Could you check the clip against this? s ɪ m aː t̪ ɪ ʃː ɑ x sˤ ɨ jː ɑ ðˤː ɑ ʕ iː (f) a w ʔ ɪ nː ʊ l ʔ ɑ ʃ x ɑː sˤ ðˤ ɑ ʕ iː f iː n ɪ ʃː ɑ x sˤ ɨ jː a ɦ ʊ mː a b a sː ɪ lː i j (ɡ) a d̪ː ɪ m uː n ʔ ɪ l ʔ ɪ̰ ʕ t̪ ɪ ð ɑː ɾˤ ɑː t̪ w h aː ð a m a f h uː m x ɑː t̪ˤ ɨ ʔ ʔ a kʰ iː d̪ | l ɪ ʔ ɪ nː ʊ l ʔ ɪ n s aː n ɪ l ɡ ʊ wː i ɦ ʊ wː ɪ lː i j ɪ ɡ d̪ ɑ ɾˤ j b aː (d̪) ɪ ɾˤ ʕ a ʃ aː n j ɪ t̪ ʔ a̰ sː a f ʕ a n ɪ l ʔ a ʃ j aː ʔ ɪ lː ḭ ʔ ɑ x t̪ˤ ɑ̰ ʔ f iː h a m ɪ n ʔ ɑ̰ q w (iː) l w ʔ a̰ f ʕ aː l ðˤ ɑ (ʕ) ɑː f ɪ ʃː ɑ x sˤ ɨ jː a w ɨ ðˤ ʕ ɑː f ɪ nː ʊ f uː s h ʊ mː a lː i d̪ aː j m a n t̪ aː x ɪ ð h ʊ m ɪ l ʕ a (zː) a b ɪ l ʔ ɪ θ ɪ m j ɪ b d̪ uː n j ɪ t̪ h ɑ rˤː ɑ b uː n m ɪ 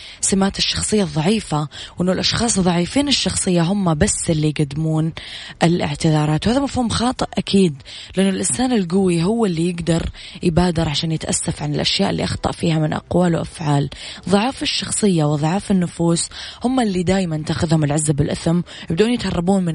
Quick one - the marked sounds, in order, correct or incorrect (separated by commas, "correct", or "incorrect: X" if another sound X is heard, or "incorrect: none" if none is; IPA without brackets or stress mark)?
correct, correct, correct, incorrect: aː, correct, correct